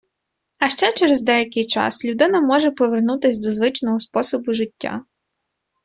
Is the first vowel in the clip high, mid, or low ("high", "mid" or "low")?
low